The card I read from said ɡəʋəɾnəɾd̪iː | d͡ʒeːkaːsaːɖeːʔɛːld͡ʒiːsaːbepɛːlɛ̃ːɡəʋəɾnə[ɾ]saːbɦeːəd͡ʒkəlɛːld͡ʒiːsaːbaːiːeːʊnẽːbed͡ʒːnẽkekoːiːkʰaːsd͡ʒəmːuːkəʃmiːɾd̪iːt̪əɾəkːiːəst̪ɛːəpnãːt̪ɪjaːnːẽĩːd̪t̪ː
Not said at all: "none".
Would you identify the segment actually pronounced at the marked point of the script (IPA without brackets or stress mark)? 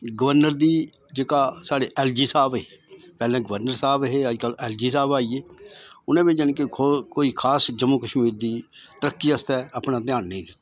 ɾ